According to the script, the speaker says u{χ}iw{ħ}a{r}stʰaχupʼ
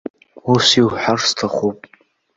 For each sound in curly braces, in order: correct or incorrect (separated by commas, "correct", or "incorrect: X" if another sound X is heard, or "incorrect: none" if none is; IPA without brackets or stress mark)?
incorrect: s, correct, correct